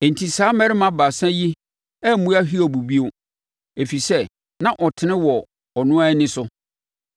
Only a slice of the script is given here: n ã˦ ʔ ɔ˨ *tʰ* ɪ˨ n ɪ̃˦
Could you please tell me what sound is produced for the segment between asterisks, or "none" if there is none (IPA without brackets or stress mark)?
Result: tʰ